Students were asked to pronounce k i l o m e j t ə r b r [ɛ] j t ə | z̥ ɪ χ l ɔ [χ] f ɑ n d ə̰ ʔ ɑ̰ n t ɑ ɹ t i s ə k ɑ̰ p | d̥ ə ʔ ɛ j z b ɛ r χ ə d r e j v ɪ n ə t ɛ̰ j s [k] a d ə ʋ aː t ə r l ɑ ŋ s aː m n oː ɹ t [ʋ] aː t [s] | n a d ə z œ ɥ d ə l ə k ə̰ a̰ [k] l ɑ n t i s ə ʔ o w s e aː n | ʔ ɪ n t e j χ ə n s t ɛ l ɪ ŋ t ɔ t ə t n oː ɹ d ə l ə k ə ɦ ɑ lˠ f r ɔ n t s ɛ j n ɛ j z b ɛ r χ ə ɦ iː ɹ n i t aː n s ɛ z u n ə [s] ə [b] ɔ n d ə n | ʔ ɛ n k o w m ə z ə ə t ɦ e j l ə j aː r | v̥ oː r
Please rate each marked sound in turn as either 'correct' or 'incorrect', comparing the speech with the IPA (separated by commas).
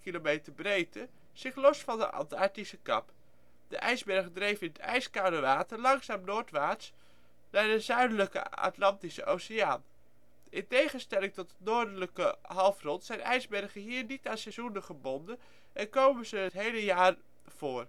incorrect, incorrect, correct, correct, correct, incorrect, incorrect, correct